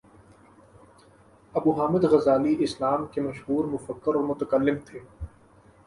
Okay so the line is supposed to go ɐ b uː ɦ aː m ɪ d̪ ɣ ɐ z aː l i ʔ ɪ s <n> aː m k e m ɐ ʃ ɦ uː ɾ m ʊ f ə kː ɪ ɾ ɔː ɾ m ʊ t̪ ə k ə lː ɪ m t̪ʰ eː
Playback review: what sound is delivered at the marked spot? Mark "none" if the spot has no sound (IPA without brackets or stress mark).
n